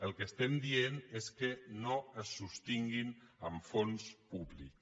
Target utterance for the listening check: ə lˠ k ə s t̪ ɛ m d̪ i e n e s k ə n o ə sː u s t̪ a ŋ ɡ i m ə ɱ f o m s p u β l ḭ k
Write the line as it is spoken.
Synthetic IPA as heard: ə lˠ k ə s t̪ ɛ m d̪ i e n e s k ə n o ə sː u s t̪ i ŋ ɡ i n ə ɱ f o n s p u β l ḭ k